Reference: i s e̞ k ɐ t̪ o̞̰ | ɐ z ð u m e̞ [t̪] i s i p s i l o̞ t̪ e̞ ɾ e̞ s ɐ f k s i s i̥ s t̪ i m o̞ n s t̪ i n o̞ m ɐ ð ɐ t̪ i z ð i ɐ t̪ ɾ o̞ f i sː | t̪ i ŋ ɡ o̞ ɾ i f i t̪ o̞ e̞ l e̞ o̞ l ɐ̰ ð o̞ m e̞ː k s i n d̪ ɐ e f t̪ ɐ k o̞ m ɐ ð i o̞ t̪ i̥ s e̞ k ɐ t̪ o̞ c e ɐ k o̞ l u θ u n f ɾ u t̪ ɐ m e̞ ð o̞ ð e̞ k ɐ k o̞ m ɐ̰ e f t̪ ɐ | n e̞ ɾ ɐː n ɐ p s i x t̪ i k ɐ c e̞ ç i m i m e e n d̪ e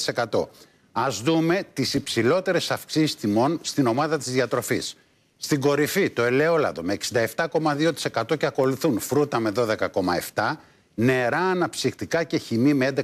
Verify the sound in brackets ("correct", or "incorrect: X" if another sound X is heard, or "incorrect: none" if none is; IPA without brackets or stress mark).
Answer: correct